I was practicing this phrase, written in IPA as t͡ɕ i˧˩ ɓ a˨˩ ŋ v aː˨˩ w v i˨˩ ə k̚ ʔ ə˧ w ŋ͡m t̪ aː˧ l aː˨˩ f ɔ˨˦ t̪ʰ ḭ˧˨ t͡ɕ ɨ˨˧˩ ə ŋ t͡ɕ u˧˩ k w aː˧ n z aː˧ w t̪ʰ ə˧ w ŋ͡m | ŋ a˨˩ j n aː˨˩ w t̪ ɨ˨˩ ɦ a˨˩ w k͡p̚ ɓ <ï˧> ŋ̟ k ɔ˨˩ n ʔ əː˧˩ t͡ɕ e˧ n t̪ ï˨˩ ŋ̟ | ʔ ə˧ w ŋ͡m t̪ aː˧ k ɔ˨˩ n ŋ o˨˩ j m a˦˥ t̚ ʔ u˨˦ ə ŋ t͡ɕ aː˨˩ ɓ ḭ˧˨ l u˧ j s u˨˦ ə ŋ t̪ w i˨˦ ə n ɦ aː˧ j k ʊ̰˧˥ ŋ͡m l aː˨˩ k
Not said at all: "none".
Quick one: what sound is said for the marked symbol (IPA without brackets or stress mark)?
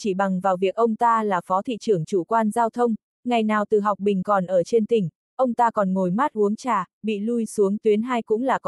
ï˨˩